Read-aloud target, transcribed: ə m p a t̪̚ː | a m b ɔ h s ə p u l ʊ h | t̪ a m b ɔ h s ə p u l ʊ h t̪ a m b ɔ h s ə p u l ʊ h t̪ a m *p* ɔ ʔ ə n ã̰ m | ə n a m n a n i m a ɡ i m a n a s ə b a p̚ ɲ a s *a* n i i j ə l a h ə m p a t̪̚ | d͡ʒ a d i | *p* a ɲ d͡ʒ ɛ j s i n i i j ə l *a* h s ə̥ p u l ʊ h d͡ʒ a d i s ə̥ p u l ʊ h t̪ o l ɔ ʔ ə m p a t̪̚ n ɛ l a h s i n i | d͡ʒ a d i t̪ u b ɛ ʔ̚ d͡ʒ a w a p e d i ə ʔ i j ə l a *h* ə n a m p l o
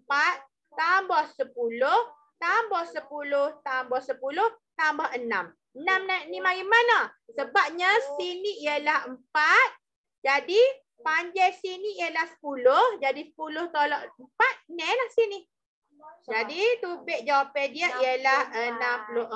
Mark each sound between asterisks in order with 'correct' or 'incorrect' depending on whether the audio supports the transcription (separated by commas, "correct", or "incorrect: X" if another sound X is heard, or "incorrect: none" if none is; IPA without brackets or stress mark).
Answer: incorrect: b, incorrect: i, correct, correct, correct